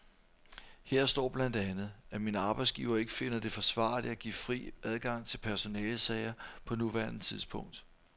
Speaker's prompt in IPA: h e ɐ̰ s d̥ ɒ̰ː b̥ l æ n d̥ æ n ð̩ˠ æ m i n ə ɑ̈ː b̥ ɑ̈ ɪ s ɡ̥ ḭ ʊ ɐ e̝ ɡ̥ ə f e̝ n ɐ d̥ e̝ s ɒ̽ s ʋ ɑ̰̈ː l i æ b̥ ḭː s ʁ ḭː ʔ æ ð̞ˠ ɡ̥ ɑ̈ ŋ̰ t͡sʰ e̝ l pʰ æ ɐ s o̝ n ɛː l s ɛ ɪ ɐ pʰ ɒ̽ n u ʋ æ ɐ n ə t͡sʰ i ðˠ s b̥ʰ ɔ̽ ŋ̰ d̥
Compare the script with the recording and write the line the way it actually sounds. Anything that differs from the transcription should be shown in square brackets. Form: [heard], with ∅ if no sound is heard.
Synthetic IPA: h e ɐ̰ s d̥ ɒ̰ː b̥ l æ n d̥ æ n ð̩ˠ æ m i n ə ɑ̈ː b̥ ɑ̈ ɪ s ɡ̥ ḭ ʊ ɐ e̝ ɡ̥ ə f e̝ n ɐ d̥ e̝ [f] ɒ̽ s ʋ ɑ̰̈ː l i æ [ɡ̥] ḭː [f] ʁ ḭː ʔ æ ð̞ˠ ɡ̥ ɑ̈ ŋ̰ t͡sʰ e̝ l pʰ æ ɐ s o̝ n ɛː l s ɛ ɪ ɐ pʰ ɒ̽ n u ʋ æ ɐ n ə t͡sʰ i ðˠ s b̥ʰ ɔ̽ ŋ̰ d̥